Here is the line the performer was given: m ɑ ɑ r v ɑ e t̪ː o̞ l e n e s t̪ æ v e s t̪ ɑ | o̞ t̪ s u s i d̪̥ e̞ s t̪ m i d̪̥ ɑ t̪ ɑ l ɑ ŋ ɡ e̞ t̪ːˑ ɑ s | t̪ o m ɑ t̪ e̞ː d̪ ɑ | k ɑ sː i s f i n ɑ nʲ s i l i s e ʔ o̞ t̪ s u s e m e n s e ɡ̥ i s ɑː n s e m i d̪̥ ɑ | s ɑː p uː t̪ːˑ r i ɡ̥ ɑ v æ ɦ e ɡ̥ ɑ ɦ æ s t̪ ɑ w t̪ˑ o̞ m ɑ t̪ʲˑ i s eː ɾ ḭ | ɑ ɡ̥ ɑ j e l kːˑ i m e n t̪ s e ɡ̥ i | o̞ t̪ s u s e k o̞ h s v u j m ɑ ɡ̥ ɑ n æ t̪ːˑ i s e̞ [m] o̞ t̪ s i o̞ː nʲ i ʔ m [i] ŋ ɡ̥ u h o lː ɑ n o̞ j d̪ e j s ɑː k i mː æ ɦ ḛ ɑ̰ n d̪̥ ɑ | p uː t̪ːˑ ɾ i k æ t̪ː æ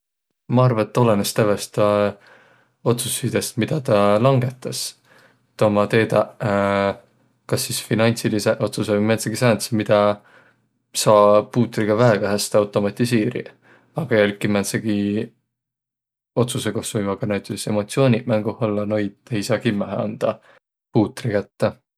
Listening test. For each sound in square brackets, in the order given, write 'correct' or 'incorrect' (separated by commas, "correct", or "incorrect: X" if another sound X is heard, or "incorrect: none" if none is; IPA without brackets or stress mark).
correct, incorrect: æ